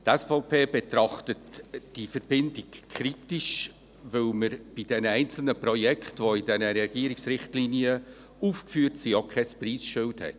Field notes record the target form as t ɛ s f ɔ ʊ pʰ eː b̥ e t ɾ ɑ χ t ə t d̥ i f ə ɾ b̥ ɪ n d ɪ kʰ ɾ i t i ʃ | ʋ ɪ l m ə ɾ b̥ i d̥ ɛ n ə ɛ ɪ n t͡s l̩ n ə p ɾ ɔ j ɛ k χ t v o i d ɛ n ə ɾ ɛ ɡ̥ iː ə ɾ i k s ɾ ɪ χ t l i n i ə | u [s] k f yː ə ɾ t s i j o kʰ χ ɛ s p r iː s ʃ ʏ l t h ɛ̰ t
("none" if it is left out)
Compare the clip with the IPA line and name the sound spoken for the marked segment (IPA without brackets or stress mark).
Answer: f